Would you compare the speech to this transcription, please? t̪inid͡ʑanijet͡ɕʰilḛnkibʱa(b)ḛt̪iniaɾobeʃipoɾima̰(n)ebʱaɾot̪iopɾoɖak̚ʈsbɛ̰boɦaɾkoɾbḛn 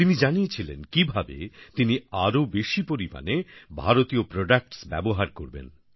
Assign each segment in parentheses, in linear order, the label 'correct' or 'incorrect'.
correct, correct

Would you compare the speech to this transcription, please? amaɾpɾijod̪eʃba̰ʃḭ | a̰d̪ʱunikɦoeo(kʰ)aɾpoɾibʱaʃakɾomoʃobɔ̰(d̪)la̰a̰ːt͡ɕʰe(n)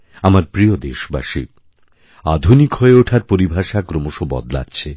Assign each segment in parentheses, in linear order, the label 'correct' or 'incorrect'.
incorrect: ʈʰ, correct, incorrect: none

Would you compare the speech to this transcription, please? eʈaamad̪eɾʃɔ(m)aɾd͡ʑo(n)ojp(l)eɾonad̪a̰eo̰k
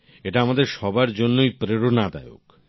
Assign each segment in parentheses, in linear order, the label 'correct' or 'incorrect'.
incorrect: b, incorrect: nː, incorrect: ɾ

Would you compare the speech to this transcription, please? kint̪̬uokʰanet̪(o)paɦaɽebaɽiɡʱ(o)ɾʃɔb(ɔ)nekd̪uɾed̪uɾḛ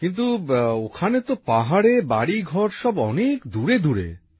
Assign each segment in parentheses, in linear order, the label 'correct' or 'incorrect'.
correct, incorrect: ɔ, correct

